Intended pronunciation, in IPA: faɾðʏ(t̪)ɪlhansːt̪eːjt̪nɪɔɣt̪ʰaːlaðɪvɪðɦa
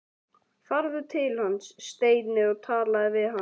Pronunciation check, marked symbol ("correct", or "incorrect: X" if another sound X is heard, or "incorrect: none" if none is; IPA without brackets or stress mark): incorrect: t̪ʰ